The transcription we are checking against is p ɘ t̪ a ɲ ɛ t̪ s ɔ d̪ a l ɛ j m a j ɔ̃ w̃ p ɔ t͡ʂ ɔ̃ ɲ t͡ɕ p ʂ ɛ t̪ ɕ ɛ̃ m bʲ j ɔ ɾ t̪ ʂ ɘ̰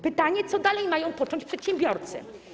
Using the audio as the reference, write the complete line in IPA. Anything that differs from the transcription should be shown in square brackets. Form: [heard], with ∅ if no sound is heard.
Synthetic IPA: p ɘ t̪ a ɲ ɛ t̪ s ɔ d̪ a l ɛ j m a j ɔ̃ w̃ p ɔ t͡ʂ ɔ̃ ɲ t͡ɕ p ʂ ɛ t̪ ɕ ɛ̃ m bʲ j ɔ ɾ t̪ [s] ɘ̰